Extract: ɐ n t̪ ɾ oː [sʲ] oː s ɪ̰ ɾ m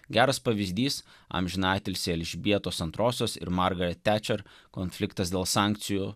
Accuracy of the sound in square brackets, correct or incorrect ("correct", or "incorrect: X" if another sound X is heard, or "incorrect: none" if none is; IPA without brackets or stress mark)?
correct